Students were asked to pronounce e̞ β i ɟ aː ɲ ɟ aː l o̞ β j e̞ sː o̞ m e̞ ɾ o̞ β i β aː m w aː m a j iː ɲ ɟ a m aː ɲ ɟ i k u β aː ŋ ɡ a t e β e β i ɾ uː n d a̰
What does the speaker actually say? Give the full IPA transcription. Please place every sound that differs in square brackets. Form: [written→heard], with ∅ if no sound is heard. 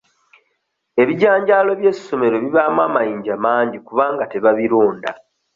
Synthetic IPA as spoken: e̞ β i ɟ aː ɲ ɟ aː l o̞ β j e̞ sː o̞ m e̞ ɾ o̞ β i β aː m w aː m a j iː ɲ ɟ a m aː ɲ ɟ i k u β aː ŋ ɡ a t e β [e→a] β i ɾ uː n d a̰

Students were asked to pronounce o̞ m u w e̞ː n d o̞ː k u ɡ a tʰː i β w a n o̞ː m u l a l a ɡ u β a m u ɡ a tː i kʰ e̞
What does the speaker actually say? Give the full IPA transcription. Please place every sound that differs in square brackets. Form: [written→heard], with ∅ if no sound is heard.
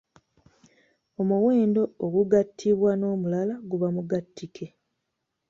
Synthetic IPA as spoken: o̞ m u w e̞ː n d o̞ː [k→ɡ] u ɡ a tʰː i β w a n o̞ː m u l a l a ɡ u β a m u ɡ a tː i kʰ e̞

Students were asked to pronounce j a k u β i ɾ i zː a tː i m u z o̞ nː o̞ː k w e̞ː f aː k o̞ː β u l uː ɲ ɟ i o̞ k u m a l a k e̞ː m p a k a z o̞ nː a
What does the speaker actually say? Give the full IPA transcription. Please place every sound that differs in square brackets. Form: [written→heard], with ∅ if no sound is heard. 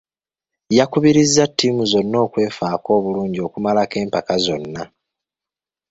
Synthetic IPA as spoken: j a k u β i ɾ i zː a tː i m u z o̞ nː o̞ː k w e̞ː f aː k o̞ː β u l uː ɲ ɟ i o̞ k u m a l a k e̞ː m p a k a z o̞ nː a

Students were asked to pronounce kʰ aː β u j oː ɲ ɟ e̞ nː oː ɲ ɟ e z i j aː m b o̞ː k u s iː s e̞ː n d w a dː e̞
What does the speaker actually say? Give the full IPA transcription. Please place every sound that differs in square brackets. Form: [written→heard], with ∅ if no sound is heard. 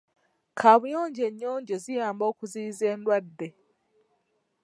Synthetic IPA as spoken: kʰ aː β u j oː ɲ ɟ e̞ [nː→ɲː] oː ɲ ɟ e z i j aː m b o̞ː k u [s→z] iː [s→z] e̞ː n d w a dː e̞

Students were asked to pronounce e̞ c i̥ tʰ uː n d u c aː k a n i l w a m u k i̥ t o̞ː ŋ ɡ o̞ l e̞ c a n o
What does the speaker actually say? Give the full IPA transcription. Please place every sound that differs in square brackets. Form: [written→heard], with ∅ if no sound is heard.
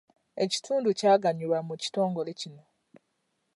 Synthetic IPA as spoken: e̞ c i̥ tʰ uː n d u c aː [k→ɡ] a [n→ɲ] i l w a m u [k→c] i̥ t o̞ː ŋ ɡ o̞ l e̞ c [a→i] n o

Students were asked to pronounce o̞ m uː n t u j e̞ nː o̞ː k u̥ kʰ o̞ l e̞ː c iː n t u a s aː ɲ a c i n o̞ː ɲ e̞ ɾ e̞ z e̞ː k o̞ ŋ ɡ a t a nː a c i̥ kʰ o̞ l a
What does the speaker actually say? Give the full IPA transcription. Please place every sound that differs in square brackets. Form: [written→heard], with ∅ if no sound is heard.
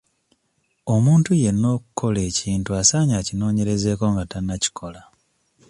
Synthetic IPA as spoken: o̞ m uː n t u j e̞ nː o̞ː k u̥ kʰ o̞ l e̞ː c iː n t u a s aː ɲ a c i n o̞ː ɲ e̞ ɾ e̞ z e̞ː k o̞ ŋ ɡ a t a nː a c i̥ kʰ o̞ l a

